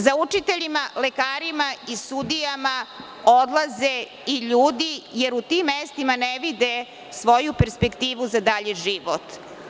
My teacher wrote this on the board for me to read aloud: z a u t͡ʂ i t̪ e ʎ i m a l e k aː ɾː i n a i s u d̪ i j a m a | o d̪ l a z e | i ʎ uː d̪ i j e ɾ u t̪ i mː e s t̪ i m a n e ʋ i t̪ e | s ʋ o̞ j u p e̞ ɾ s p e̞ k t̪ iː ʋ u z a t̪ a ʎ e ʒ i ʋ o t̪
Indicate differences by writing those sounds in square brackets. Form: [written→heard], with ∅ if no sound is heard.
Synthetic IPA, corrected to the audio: z a u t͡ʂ i t̪ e ʎ i m a l e k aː [ɾː→ɾ] i [n→m] a i s u d̪ i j a m a | o d̪ l a z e | i ʎ uː d̪ i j e ɾ u t̪ i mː e s t̪ i m a n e ʋ i [t̪→d̪] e | s ʋ o̞ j u p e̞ ɾ s p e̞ k t̪ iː ʋ u z a [t̪→d̪] a ʎ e ʒ i ʋ o t̪